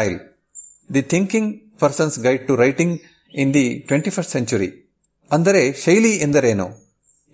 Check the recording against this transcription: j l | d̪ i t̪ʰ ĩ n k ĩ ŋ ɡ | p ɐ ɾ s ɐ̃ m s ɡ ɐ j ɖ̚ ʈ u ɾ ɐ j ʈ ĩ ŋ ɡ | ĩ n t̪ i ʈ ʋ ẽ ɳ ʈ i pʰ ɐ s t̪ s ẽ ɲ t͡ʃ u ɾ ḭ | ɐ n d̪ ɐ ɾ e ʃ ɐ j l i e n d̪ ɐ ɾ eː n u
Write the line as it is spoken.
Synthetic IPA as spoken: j l | d̪ i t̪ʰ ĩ ŋ k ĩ ŋ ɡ | p ɐ ɾ s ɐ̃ n s ɡ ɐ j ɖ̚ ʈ u ɾ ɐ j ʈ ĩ ŋ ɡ | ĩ n d̪ i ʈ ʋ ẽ ɳ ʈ i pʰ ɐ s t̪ s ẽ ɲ t͡ʃ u ɾ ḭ | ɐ n d̪ ɐ ɾ e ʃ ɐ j l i e n d̪ ɐ ɾ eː n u